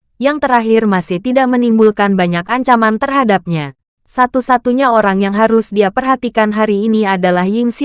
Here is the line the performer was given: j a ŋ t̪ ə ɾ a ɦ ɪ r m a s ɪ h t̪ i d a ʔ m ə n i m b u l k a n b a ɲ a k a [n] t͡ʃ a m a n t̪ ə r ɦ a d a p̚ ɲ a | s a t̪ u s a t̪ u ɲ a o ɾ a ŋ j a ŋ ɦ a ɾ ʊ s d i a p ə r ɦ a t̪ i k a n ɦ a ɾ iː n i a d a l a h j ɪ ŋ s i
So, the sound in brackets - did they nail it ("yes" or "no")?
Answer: no